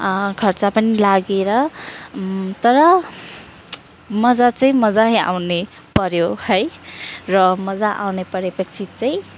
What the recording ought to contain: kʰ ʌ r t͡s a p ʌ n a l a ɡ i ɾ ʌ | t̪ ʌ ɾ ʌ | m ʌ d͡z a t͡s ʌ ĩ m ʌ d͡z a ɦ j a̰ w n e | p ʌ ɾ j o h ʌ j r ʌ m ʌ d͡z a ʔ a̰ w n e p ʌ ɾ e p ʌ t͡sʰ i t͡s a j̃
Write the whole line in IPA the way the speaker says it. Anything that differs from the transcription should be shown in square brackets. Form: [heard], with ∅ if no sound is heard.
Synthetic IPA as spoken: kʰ ʌ r t͡s a p ʌ n [i] l a ɡ [e] ɾ ʌ | t̪ ʌ ɾ ʌ | m ʌ d͡z a t͡s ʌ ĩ m ʌ d͡z a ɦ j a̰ w n e | p ʌ ɾ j o h ʌ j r ʌ m ʌ d͡z a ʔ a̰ w n e p ʌ ɾ e p ʌ t͡sʰ i t͡s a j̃